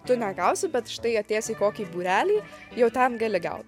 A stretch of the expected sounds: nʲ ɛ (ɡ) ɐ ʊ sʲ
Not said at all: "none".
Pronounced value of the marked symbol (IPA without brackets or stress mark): ɡ